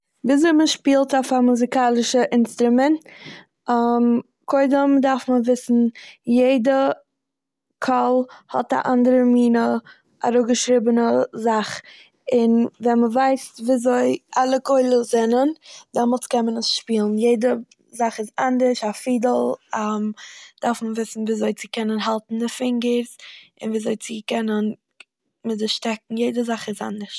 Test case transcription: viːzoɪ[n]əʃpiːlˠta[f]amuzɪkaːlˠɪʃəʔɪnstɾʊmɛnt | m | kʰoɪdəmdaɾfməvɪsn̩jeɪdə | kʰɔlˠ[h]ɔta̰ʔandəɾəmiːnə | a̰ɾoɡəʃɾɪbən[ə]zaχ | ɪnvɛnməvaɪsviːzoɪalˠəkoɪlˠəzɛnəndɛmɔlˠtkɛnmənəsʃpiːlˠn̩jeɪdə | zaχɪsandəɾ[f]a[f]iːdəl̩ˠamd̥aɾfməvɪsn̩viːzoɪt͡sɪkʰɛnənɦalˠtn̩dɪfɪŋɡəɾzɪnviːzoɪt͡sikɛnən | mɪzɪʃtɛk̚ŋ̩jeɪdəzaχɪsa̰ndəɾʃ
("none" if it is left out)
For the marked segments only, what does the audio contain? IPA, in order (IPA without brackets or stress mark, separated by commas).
m, f, h, ə, ʃ, f